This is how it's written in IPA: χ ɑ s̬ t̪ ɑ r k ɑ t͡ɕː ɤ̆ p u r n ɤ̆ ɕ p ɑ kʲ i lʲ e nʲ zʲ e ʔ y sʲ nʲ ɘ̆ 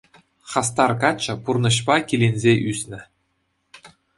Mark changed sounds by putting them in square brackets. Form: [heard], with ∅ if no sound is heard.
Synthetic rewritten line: χ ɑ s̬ t̪ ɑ r k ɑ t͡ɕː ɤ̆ p u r n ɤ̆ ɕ p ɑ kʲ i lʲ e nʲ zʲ e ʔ y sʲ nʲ ɘ̆

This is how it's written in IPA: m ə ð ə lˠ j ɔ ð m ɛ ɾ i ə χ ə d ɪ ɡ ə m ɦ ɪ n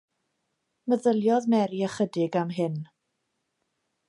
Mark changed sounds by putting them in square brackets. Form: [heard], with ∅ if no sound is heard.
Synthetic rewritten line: m ə ð ə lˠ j ɔ ð m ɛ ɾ i ə χ ə d ɪ ɡ [a] m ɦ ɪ n

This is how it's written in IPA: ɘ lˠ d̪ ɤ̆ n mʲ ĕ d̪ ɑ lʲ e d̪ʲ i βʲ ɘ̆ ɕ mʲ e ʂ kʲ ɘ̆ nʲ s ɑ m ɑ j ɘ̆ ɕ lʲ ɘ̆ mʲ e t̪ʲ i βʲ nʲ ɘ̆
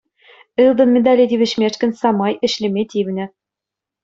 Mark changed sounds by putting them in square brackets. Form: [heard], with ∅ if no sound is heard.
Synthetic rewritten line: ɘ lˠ d̪ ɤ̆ n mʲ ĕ d̪ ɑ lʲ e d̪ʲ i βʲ ɘ̆ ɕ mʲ e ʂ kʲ ɘ̆ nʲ s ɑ m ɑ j ɘ̆ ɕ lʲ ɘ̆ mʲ e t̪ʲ i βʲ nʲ ɘ̆

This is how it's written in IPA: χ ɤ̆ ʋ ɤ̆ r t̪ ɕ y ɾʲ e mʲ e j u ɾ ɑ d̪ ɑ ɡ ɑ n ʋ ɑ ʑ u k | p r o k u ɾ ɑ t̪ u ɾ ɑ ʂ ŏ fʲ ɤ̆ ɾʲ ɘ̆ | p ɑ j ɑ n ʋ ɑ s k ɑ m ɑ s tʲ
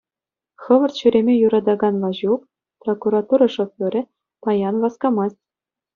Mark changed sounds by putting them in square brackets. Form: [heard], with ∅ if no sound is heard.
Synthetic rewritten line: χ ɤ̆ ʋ ɤ̆ r t̪ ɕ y ɾʲ e mʲ e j u ɾ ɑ d̪ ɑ ɡ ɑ n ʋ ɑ ʑ u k | p r o k u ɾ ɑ t̪ u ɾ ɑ ʂ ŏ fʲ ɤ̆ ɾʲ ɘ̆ | p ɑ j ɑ n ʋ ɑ s k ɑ m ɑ s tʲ

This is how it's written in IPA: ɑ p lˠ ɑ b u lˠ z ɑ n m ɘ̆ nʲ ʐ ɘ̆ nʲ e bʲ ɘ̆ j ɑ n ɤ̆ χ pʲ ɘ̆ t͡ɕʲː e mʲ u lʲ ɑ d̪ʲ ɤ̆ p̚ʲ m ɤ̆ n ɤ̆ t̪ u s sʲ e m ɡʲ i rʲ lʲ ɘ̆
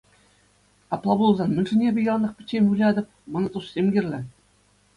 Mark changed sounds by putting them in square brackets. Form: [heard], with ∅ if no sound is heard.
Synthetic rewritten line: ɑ p lˠ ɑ b u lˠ z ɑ n m ɘ̆ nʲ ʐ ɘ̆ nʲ e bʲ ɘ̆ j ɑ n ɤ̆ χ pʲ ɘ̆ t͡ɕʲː e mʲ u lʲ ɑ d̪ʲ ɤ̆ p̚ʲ m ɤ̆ n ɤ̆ t̪ u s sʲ e m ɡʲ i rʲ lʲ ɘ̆

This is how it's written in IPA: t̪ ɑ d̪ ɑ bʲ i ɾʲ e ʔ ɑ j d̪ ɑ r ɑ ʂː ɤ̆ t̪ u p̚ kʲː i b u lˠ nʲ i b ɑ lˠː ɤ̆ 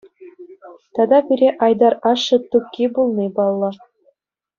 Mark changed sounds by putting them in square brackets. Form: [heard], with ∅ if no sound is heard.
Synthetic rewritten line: t̪ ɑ d̪ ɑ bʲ i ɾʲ e ʔ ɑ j d̪ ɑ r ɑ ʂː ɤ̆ t̪ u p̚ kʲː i b u lˠ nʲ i b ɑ lˠː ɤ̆

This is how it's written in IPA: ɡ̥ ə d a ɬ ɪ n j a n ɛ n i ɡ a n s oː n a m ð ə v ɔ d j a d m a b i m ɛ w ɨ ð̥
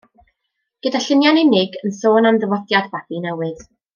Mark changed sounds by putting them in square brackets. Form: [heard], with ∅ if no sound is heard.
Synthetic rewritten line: ɡ̥ ə d a ɬ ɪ n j a n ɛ n [ɪ] ɡ [ə] n s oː n a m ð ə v ɔ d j a d [b] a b i [n] ɛ w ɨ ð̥

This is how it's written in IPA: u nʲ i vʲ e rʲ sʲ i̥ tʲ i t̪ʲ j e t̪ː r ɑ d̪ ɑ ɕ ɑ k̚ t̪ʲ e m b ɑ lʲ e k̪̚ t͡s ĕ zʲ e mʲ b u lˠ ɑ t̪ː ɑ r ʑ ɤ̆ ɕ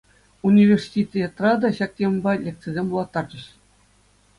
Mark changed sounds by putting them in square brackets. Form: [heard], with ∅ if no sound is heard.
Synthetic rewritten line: u nʲ i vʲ e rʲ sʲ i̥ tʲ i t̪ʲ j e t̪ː r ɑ d̪ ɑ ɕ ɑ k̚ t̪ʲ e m b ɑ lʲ e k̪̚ t͡s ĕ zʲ e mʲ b u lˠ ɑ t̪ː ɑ r [d͡ʑ] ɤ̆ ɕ

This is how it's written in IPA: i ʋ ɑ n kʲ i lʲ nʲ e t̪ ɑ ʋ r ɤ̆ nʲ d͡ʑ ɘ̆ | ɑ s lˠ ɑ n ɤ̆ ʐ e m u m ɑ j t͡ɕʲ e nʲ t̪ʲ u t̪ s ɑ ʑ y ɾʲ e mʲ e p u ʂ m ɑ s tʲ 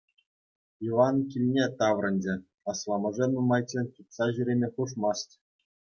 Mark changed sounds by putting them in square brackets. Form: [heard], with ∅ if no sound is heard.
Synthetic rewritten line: i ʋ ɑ n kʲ i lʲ nʲ e t̪ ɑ ʋ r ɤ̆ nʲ d͡ʑ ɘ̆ | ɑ s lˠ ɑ [m] ɤ̆ ʐ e [n] u m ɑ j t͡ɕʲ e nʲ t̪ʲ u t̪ s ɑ ʑ y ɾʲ e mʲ e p u ʂ m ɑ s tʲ

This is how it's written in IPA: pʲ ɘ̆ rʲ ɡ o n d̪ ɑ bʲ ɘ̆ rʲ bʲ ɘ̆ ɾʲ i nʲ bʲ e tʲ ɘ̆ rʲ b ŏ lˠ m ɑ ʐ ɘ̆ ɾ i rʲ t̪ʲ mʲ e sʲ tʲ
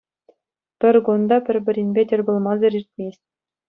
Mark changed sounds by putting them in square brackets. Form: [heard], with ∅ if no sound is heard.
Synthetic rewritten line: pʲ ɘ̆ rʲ ɡ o n d̪ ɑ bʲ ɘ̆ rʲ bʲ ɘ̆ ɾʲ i nʲ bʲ e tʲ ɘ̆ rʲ b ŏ lˠ m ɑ [z] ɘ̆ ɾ i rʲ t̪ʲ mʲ e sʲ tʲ

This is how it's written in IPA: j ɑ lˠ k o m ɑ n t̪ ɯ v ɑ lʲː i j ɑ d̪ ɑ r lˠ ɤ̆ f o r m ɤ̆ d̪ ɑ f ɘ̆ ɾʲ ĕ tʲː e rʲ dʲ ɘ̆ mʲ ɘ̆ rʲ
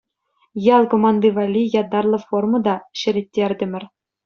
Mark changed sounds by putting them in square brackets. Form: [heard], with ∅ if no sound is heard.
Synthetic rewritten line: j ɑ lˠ k o m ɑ n [d̪] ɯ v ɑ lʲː i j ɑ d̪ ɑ r lˠ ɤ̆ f o r m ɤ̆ d̪ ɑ [ɕ] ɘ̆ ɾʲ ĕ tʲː e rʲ dʲ ɘ̆ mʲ ɘ̆ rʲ

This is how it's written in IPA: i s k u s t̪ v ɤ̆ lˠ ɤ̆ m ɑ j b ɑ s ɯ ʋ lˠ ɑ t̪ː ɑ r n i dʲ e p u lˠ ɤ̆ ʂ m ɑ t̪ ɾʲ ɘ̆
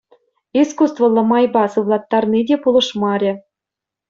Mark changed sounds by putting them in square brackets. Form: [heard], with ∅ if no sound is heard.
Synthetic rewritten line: i s k u s t̪ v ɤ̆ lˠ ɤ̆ m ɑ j b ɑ s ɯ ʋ lˠ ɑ t̪ː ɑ r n i dʲ e p u lˠ ɤ̆ ʂ m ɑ [∅] ɾʲ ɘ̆

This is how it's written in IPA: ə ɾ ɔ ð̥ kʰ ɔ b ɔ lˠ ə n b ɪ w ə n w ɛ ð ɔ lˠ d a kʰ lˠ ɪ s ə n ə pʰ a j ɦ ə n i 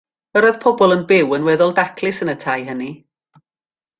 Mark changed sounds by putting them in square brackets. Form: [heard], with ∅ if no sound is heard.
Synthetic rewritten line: ə ɾ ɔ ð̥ [pʰ] ɔ b ɔ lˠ ə n b ɪ w ə n w ɛ ð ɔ lˠ d a kʰ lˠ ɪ s ə n ə [tʰ] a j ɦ ə n i

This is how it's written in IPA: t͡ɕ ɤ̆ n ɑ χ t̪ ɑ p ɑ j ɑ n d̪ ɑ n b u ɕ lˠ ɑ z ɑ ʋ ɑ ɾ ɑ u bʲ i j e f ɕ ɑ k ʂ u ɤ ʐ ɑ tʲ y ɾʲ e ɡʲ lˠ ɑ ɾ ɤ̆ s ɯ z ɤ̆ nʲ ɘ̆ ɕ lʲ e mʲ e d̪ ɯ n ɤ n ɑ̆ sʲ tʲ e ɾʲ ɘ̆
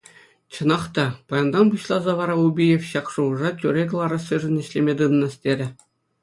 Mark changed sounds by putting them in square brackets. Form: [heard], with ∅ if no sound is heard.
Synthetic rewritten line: t͡ɕ ɤ̆ n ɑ χ t̪ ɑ p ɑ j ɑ n d̪ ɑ n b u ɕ lˠ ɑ z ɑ ʋ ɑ ɾ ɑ u bʲ i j e f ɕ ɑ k ʂ u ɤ ʐ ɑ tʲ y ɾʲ e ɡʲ lˠ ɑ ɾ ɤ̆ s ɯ [ʐ] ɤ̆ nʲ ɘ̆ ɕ lʲ e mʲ e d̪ ɯ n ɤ n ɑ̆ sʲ tʲ e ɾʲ ɘ̆

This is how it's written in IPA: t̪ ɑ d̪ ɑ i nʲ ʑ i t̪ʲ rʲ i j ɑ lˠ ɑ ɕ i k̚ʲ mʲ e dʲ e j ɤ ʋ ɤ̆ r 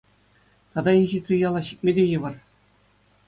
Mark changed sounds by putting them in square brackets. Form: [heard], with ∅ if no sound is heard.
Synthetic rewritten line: t̪ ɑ d̪ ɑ i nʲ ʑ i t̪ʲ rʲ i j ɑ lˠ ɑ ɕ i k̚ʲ mʲ e dʲ e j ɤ ʋ ɤ̆ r

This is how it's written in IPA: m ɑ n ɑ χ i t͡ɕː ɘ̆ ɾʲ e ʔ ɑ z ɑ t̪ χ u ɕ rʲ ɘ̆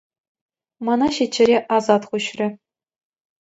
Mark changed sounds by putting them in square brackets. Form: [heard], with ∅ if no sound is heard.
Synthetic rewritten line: m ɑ n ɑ [ɕ] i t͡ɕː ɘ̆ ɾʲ e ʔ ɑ z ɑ t̪ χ u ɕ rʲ ɘ̆

